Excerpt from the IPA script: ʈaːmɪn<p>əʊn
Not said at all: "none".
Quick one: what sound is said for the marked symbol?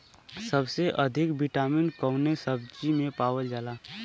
k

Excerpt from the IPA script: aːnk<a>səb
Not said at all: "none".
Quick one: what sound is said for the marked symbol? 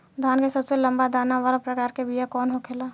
e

